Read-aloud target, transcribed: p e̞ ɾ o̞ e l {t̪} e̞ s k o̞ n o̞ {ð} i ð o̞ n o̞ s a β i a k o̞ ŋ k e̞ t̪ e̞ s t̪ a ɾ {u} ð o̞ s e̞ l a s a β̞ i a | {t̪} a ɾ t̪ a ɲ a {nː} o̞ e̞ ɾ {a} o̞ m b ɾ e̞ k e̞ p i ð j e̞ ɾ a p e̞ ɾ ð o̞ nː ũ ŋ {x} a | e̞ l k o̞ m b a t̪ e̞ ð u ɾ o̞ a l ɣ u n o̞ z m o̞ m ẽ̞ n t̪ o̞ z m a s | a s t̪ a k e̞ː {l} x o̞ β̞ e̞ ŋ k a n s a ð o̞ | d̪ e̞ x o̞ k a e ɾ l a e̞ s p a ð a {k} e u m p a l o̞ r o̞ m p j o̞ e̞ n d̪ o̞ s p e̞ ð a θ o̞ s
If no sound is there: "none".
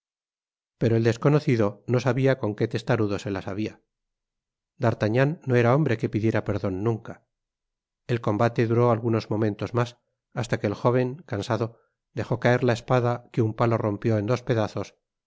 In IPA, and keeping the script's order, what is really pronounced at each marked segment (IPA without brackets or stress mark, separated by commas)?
d̪, θ, u, d̪, nː, a, k, l, k